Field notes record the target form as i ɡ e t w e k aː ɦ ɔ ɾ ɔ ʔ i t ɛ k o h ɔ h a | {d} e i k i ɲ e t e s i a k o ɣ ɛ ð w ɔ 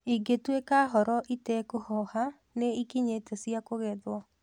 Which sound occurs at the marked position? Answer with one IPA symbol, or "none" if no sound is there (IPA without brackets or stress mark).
n